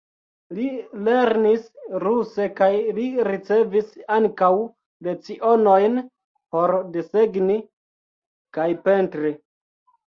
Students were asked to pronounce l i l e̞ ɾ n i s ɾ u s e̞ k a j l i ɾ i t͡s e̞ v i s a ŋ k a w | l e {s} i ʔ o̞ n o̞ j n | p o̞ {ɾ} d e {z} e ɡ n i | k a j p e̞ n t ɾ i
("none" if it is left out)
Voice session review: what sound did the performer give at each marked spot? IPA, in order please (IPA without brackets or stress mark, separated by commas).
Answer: t͡s, ɾ, s